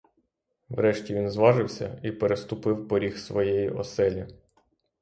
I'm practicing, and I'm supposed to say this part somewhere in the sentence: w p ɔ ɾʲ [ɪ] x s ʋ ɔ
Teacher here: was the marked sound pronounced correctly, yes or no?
no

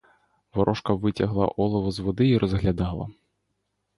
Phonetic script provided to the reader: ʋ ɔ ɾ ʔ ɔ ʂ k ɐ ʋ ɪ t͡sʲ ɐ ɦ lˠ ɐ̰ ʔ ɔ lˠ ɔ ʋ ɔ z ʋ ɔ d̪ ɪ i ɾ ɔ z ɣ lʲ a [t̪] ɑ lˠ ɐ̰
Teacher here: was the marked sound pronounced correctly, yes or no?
no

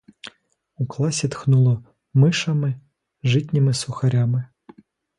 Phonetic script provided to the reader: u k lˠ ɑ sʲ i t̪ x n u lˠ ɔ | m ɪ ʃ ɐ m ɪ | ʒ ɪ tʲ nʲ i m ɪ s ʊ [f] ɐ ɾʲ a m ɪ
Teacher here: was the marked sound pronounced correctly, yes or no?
no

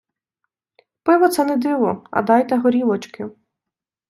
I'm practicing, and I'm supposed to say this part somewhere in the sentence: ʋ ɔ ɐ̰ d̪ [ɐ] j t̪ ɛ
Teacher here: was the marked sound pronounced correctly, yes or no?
no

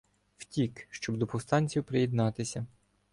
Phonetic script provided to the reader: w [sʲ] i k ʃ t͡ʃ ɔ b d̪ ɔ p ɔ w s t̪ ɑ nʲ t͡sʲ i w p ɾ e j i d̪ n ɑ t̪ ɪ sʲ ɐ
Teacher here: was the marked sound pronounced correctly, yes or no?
no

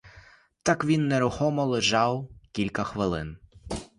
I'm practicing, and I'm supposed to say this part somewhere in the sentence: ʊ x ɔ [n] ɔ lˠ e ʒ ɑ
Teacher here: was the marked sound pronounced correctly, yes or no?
no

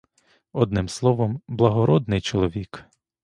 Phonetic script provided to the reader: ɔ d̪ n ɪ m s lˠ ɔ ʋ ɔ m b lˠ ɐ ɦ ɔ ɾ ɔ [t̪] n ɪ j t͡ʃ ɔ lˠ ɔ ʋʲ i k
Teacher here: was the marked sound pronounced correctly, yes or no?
no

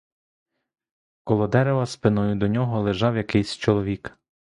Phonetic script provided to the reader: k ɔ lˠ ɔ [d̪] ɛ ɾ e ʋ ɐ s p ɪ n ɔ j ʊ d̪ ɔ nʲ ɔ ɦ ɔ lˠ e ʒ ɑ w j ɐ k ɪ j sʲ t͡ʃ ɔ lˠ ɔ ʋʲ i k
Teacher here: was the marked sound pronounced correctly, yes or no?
yes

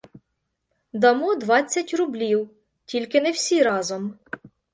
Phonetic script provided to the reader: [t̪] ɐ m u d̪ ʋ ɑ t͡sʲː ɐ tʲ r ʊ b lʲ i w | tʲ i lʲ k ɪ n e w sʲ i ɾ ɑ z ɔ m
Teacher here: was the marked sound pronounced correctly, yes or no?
no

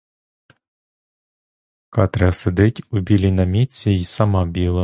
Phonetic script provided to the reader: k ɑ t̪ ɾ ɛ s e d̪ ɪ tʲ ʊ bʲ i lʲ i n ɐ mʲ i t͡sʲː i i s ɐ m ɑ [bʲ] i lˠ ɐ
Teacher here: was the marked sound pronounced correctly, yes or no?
yes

